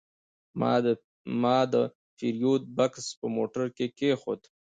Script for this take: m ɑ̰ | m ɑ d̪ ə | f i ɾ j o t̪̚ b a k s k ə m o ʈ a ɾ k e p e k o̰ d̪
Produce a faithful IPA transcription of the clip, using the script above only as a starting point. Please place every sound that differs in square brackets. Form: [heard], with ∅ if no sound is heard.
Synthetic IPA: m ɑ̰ | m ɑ d̪ ə | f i ɾ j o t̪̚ b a k s [p] ə m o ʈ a ɾ k e [k] e [x] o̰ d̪